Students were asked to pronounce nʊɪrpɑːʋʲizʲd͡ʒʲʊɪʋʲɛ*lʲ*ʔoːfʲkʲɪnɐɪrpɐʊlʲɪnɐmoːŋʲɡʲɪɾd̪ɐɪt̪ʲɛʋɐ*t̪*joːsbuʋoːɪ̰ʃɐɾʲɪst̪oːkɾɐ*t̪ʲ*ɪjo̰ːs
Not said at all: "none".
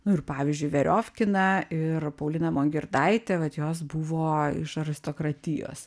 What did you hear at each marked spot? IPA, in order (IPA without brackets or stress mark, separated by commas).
ɾʲ, t̪, t̪ʲ